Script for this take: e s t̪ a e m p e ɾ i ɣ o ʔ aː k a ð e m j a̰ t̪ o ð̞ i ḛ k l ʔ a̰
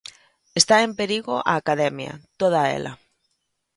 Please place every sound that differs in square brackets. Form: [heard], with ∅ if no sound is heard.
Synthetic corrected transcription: e s t̪ a e m p e ɾ i ɣ o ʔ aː k a ð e m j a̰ t̪ o ð̞ [a] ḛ [∅] l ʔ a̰